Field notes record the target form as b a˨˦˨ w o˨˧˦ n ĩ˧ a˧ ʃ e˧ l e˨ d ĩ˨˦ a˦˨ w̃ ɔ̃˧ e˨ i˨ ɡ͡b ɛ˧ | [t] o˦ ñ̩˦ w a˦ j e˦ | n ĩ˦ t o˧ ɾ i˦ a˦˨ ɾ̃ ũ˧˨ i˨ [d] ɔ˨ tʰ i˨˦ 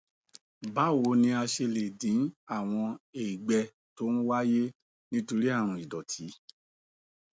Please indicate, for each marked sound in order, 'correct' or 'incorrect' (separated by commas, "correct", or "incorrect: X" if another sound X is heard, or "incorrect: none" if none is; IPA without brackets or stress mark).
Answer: correct, correct